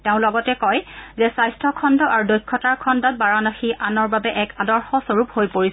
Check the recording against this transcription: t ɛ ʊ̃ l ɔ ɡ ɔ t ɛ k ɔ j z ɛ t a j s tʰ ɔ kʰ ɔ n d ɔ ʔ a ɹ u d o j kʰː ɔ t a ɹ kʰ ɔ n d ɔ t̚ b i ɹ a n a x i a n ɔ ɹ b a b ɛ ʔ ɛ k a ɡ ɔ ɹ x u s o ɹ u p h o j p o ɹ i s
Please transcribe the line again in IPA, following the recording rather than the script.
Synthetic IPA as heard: t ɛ ʊ̃ l ɔ ɡ ɔ t ɛ k ɔ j z ɛ s a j s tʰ ɔ kʰ ɔ n d ɔ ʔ a ɹ u d o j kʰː ɔ t a ɹ kʰ ɔ n d ɔ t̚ b a ɹ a n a x i a n ɔ ɹ b a b ɛ ʔ ɛ k a d ɔ ɹ x ɔ s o ɹ u p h o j p o ɹ i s